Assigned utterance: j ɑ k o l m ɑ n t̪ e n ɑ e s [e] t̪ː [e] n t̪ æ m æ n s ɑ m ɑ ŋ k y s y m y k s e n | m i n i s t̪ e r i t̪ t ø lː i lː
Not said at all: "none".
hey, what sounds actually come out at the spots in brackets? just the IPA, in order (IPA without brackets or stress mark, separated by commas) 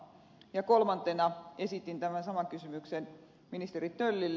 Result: i, i